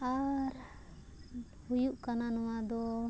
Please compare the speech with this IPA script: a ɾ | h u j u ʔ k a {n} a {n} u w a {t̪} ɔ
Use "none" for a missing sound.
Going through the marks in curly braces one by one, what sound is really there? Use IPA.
n, n, d̪

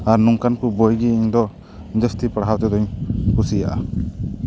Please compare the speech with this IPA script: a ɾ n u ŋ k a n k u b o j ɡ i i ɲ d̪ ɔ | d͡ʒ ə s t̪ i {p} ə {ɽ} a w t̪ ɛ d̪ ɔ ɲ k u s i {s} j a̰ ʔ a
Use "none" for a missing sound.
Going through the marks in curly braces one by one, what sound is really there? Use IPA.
p, ɽ, none

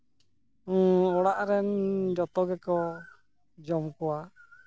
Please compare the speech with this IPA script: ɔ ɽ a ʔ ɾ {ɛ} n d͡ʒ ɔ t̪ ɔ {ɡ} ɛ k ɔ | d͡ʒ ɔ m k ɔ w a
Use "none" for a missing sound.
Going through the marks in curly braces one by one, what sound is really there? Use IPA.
ɛ, ɡ

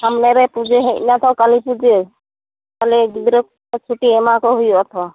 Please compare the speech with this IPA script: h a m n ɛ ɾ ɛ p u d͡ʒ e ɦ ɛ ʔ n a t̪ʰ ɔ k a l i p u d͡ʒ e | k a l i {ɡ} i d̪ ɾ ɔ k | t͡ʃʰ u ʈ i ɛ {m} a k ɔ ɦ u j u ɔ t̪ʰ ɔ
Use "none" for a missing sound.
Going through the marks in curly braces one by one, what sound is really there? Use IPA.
ɡ, m

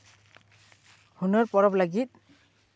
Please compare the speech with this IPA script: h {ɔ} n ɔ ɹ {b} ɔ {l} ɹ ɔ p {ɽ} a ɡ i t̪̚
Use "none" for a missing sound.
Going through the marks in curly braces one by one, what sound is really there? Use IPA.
u, p, none, l

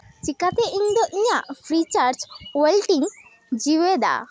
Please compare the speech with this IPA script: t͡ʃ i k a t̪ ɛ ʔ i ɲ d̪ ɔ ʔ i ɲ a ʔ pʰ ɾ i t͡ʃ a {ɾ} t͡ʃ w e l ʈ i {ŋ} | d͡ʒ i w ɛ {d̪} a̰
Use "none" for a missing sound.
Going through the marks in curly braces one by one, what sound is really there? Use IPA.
ɾ, ŋ, d̪

